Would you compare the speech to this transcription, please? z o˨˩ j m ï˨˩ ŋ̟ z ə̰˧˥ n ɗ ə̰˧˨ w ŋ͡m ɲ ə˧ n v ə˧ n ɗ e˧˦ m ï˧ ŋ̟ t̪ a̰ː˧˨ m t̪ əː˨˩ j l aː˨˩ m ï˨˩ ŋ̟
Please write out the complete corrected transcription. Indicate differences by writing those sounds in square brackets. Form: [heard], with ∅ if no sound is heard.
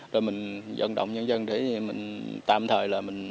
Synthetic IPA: z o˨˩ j m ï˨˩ ŋ̟ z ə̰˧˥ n ɗ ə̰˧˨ w ŋ͡m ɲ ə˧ n [z] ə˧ n ɗ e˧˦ m [ï˨˩] ŋ̟ t̪ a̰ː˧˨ m [t̪ʰ] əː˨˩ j l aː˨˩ m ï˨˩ ŋ̟